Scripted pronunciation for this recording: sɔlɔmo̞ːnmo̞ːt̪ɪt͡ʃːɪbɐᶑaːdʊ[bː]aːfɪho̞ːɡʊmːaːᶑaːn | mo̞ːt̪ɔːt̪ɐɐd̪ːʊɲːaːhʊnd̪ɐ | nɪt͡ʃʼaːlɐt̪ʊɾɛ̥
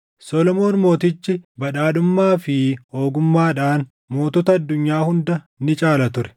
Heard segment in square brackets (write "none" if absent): mː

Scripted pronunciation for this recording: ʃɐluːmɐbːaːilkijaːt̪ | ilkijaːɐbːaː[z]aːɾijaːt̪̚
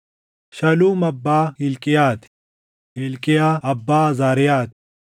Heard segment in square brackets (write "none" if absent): z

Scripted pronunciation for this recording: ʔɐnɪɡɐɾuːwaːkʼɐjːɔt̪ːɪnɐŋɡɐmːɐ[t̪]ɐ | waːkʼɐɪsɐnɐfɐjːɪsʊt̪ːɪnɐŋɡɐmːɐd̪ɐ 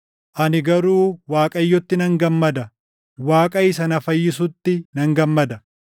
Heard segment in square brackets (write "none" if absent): d̪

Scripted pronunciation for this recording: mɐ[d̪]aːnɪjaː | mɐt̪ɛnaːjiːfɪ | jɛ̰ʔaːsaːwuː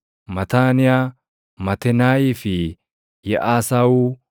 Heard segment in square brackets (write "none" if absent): t̪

